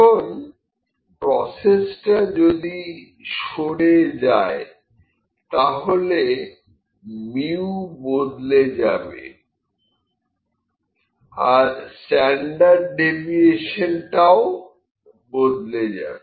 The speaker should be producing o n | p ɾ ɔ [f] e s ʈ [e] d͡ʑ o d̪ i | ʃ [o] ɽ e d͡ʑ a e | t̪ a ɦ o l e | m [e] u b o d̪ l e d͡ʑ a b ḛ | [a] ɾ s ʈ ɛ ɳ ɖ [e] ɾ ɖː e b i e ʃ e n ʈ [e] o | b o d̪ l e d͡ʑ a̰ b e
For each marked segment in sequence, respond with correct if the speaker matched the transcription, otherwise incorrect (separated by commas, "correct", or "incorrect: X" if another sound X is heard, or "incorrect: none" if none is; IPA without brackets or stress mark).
incorrect: s, incorrect: a, correct, incorrect: i, correct, incorrect: a, incorrect: a